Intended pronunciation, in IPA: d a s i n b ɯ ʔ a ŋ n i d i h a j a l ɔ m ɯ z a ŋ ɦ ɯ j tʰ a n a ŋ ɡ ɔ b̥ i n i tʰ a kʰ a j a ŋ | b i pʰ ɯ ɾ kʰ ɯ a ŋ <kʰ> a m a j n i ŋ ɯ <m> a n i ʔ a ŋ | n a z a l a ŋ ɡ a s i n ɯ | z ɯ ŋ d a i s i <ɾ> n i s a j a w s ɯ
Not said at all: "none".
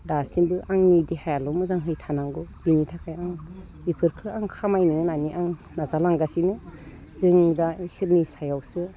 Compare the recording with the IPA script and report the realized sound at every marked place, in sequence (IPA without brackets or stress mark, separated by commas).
kʰ, n, ɾ